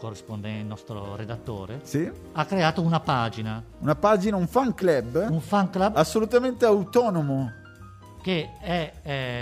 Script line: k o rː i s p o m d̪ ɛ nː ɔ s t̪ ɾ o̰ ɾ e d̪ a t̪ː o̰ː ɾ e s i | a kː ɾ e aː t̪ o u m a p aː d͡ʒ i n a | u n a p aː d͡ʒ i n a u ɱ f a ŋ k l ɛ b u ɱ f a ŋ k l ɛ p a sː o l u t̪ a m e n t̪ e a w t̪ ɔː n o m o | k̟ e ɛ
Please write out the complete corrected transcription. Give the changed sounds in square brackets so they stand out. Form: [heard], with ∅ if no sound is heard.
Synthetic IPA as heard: k o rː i s p o [n] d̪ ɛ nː ɔ s t̪ ɾ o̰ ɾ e d̪ a t̪ː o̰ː ɾ e s i | a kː ɾ e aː t̪ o u [n] a p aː d͡ʒ i n a | u n a p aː d͡ʒ i n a u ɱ f a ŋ k l ɛ b u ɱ f a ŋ k l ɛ [b] a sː o l u t̪ a m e n t̪ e a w t̪ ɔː n o m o | k̟ e ɛ